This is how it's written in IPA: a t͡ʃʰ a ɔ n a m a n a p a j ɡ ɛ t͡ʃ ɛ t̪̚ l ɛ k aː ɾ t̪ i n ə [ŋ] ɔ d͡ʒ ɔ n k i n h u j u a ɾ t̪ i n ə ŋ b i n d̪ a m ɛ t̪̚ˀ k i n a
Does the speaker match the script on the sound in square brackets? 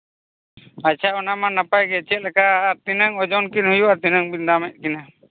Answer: yes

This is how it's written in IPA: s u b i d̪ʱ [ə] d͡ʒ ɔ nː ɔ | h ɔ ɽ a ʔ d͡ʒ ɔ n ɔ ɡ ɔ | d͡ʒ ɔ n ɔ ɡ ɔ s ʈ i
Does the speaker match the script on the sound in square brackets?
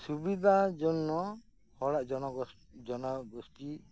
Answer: no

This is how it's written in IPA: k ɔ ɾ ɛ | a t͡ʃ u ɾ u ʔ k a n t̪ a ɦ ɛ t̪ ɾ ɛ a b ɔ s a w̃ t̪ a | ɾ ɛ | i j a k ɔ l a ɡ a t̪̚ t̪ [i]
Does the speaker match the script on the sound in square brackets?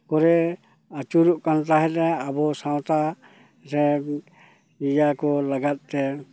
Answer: no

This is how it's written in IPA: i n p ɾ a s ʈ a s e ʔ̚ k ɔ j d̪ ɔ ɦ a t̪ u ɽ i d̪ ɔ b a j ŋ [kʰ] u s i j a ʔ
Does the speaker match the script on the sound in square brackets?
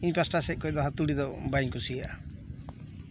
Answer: no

